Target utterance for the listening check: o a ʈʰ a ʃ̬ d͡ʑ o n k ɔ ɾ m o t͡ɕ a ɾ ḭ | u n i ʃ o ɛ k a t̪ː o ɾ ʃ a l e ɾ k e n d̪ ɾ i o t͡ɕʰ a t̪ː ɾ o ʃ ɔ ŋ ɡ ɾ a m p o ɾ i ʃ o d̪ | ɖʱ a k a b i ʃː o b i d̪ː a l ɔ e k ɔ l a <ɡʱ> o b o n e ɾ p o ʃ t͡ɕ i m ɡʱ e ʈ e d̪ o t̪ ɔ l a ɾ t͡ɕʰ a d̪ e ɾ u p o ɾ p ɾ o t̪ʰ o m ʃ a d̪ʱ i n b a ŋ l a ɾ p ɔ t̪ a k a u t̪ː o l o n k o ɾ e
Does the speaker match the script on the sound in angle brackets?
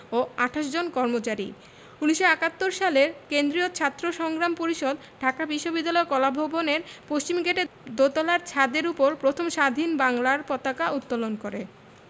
no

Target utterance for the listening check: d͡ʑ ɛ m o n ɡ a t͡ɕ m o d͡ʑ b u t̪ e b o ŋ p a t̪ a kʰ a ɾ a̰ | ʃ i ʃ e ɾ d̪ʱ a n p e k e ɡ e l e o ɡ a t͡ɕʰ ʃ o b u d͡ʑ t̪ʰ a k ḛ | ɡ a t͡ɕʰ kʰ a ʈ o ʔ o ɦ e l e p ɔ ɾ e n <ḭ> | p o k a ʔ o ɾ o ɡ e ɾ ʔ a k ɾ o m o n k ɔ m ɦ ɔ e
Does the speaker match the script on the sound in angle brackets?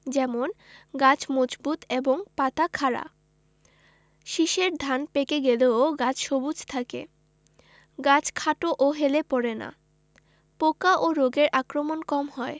no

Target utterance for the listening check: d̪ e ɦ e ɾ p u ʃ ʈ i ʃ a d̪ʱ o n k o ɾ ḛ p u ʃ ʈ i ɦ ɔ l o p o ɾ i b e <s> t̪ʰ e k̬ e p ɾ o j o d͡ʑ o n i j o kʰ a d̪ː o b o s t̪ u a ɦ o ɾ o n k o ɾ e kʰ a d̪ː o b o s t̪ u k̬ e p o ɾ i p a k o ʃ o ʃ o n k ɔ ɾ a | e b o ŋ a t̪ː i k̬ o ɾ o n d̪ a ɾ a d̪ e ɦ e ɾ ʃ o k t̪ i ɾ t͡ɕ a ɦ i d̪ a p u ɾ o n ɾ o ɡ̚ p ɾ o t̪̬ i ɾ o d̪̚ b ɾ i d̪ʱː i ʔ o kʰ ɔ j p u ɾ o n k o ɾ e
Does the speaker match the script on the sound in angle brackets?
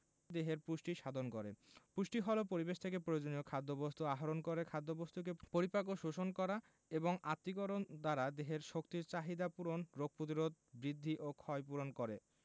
no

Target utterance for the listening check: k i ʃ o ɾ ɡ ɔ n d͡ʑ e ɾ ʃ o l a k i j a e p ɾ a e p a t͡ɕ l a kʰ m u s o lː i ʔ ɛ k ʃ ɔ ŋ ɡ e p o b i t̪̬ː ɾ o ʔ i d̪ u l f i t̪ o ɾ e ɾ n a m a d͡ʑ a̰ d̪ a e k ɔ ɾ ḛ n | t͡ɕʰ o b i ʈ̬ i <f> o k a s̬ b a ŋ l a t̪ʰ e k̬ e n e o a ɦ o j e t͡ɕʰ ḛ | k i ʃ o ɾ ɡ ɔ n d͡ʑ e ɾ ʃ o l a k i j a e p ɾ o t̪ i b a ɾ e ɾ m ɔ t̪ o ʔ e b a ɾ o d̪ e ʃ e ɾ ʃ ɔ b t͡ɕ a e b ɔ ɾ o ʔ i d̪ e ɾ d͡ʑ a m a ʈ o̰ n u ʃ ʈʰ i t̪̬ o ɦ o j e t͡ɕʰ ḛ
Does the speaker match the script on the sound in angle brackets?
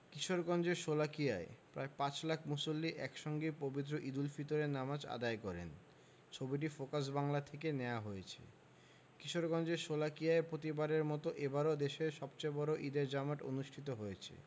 yes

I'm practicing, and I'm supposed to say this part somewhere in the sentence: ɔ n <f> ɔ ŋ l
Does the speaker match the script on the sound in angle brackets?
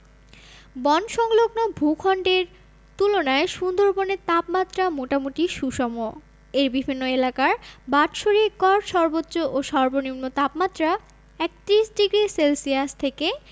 no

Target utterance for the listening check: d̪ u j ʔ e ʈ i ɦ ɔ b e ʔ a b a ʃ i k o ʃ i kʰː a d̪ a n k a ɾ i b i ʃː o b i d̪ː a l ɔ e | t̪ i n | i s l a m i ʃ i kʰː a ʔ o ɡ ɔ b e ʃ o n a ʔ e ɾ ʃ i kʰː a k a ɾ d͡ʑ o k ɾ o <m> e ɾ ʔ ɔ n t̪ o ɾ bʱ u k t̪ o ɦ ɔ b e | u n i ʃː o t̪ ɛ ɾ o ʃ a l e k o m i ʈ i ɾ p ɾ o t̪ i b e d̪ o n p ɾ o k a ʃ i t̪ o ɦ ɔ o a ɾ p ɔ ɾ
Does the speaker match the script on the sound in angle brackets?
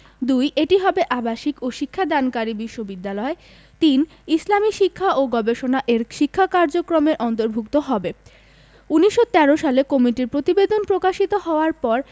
yes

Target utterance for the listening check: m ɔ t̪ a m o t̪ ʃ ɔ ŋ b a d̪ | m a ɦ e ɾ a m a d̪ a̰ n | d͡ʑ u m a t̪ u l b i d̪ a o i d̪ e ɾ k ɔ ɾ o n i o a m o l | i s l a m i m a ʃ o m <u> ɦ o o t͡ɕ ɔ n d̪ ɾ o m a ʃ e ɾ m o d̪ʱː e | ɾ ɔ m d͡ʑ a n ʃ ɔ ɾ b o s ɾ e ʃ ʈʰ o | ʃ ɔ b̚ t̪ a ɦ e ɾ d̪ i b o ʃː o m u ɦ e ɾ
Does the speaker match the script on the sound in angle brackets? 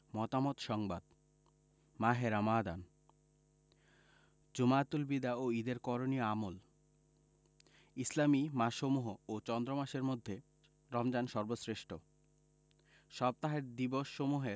yes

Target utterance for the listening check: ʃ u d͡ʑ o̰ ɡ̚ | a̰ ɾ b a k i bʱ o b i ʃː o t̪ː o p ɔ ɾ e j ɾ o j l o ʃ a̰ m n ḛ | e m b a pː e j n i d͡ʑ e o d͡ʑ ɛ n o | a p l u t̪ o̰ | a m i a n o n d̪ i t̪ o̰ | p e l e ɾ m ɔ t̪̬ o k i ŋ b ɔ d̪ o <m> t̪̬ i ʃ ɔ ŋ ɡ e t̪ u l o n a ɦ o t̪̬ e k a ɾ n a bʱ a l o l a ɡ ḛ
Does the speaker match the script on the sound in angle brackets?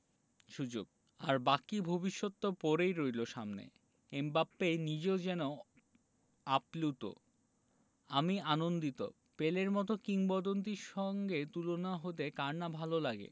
no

